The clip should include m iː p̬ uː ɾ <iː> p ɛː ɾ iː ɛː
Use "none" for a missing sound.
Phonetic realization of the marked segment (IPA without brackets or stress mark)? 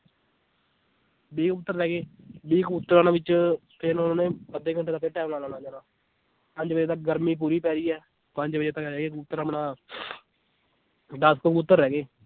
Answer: iː